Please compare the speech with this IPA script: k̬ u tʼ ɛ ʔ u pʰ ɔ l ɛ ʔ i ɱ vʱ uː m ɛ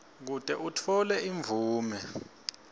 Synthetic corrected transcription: k̬ u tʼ ɛ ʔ u tʰ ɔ l ɛ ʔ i ɱ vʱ uː m ɛ